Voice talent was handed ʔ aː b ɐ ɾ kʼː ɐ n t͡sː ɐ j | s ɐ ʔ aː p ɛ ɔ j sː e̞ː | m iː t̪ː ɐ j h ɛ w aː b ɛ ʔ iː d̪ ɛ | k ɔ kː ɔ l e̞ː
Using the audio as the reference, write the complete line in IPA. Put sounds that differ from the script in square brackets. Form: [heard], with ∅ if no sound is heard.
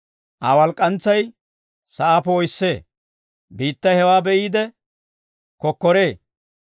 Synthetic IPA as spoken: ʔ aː [w] ɐ [l] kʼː ɐ n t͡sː ɐ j | s ɐ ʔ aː p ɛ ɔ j sː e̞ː | [b] iː t̪ː ɐ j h ɛ w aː b ɛ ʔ iː d̪ ɛ | k ɔ kː ɔ [ɾ] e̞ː